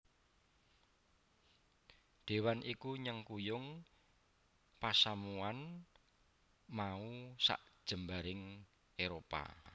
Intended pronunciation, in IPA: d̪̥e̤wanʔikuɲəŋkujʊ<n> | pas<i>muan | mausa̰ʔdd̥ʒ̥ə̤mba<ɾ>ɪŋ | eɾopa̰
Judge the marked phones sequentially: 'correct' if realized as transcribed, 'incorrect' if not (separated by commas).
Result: incorrect, incorrect, correct